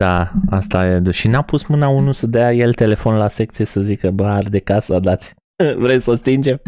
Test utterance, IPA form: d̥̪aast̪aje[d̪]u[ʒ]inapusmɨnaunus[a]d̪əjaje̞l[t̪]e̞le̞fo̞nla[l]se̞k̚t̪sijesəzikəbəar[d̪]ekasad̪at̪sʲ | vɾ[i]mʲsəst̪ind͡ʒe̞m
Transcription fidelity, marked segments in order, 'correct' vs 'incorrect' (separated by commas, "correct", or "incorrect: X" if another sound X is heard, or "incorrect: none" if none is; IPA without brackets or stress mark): correct, incorrect: ʃ, incorrect: ə, correct, incorrect: none, correct, incorrect: e